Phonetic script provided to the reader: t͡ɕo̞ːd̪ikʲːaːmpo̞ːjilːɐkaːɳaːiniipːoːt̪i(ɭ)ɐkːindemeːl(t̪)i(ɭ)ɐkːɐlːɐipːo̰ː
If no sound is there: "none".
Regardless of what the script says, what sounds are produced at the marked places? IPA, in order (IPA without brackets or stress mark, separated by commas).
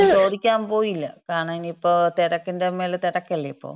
ɽ, t̪, ɽ